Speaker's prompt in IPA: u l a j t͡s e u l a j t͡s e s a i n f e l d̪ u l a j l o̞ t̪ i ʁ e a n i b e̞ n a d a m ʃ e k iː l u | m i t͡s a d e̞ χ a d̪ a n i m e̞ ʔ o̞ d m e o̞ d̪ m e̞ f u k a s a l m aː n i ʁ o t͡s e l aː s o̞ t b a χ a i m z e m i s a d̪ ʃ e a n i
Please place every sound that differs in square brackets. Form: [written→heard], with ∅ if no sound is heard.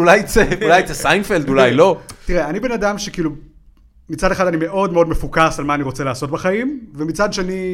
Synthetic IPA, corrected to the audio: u l a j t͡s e u l a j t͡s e s a [i→j] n f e l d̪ u l a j l o̞ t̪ i ʁ e a n i b e̞ n a d a m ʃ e k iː l u | m i t͡s a d e̞ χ a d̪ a n i m e̞ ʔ o̞ d m e o̞ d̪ m e̞ f u k a s a l m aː n i ʁ o t͡s e l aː s o̞ t b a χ a i m [z→v] e m i [s→t͡s] a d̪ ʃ e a n i